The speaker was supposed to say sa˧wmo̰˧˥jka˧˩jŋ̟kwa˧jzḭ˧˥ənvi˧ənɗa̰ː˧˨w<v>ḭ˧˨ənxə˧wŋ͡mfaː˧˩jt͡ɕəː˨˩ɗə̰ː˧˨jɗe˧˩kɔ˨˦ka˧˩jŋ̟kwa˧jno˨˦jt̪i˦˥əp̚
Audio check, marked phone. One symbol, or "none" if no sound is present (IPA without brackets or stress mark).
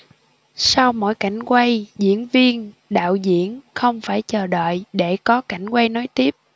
z